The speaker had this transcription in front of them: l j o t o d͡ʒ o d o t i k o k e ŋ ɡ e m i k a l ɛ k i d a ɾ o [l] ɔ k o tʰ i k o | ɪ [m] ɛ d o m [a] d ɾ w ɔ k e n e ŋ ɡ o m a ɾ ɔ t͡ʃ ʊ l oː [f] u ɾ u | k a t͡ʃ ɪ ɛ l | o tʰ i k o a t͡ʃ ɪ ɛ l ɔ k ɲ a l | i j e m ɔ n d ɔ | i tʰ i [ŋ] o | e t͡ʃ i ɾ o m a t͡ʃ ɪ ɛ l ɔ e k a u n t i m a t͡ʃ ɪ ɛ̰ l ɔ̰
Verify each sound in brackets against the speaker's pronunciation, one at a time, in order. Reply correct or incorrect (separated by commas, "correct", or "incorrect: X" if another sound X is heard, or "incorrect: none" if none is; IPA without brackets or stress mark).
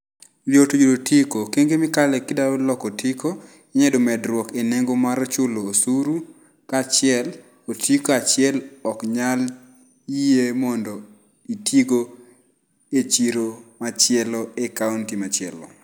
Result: correct, incorrect: ɲ, incorrect: ɛ, incorrect: s, incorrect: ɡ